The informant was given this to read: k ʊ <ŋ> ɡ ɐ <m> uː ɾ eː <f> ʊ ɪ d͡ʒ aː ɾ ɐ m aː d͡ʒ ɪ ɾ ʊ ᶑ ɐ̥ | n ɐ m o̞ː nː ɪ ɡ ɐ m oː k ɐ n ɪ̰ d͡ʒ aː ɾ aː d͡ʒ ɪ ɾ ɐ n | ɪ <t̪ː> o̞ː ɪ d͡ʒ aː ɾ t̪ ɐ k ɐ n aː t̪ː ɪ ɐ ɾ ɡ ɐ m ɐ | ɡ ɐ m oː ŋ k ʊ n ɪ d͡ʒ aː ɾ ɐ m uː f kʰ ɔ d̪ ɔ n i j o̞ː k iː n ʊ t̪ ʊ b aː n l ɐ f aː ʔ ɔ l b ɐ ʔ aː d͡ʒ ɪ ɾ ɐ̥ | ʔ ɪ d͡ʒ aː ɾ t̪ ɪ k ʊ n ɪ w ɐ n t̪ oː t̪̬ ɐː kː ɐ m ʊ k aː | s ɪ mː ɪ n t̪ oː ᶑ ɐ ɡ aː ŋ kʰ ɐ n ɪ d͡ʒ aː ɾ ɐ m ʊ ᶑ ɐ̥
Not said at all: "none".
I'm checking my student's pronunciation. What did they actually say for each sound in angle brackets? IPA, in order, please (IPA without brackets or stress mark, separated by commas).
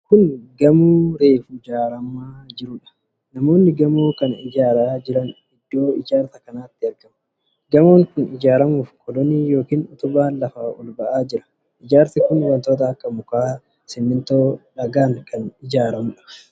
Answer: n, m, f, d̪ː